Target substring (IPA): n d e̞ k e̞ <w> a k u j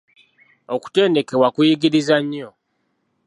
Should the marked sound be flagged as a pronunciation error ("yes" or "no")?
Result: no